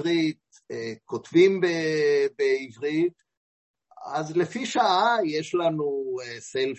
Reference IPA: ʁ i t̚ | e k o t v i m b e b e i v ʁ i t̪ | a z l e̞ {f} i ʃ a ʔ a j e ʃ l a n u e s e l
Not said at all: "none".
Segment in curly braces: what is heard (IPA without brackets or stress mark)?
f